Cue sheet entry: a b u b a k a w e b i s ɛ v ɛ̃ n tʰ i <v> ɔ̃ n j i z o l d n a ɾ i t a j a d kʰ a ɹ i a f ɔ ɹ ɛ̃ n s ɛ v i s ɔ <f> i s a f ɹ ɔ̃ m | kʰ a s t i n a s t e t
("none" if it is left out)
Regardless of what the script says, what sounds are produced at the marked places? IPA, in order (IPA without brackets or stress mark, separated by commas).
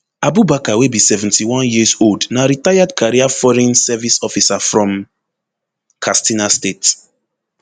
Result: w, f